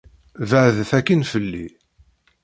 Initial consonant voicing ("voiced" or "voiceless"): voiced